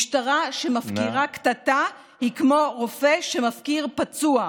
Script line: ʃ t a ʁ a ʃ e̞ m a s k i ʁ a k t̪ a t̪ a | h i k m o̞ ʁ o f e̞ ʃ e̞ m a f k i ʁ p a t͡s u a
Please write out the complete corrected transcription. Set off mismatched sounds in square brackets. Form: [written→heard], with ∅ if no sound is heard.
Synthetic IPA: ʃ t a ʁ a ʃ e̞ m a [s→f] k i ʁ a k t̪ a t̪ a | h i k m o̞ ʁ o f e̞ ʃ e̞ m a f k i ʁ p a t͡s u a